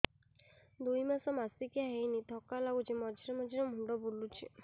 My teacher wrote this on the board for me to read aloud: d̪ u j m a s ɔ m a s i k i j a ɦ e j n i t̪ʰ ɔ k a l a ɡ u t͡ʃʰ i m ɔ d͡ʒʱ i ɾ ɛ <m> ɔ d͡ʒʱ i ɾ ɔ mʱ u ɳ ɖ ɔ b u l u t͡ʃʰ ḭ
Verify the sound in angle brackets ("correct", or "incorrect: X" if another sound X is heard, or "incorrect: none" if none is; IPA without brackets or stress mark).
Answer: correct